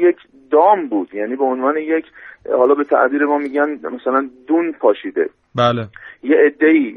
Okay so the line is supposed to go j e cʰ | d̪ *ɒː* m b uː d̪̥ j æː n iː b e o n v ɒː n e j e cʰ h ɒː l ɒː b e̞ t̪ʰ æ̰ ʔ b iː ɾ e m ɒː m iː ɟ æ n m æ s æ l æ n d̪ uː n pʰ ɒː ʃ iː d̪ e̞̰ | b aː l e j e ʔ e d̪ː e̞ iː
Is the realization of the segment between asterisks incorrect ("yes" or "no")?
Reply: no